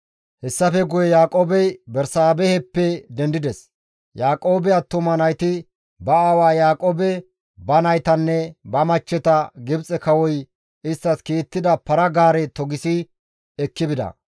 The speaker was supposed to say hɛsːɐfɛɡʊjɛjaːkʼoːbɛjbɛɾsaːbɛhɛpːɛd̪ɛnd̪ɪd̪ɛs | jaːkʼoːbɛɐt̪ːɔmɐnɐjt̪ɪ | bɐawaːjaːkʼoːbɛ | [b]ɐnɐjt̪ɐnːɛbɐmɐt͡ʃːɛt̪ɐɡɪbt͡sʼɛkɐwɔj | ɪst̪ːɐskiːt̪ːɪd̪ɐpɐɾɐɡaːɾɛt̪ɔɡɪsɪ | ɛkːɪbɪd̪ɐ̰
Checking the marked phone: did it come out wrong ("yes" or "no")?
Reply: no